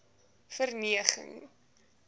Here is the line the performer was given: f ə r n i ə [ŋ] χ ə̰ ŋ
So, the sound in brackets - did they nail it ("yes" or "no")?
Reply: no